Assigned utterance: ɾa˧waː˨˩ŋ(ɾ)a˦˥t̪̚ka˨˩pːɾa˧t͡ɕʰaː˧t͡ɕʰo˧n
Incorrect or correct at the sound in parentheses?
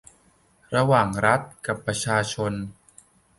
correct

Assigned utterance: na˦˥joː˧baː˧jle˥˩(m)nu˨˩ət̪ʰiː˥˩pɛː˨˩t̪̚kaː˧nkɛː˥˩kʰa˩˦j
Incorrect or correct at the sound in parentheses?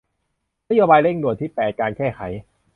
incorrect: ŋ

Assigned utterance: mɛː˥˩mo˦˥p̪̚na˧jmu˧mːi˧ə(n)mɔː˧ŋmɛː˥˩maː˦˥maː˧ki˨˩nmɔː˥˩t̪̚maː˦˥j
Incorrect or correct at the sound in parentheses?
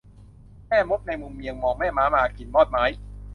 incorrect: ŋ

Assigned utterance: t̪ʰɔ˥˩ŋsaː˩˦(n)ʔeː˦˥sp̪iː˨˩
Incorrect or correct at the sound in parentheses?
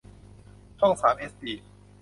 incorrect: m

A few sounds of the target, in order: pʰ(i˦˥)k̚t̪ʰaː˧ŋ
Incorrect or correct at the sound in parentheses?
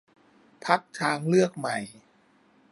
incorrect: a˦˥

